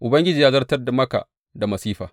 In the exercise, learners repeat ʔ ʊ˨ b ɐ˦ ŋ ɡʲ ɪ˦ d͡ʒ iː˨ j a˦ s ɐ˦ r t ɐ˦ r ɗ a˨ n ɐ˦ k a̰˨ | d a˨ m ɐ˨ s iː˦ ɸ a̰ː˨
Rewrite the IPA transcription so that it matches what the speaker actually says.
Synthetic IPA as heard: ʔ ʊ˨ b ɐ˦ ŋ ɡʲ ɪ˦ d͡ʒ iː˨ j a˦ z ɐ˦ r t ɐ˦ r d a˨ m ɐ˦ k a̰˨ | d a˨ m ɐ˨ s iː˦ ɸ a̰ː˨